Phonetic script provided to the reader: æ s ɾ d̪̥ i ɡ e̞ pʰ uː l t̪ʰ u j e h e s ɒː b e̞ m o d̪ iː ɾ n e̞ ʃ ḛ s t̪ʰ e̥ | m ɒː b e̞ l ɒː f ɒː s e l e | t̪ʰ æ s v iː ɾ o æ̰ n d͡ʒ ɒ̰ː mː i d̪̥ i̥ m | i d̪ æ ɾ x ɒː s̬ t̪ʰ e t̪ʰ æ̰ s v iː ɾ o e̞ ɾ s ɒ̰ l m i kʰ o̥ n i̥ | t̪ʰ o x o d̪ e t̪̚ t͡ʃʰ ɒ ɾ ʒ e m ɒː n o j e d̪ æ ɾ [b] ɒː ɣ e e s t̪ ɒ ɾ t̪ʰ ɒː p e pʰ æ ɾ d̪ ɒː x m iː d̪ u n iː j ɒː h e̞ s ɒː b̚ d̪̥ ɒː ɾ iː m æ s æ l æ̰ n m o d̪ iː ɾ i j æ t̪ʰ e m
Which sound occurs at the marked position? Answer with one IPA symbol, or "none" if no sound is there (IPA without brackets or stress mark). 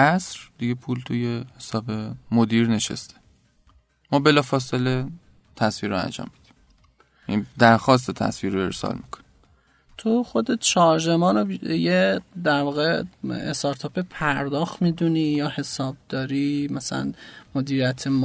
v